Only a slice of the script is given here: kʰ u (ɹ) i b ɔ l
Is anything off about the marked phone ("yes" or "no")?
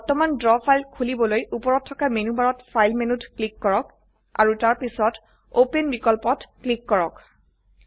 yes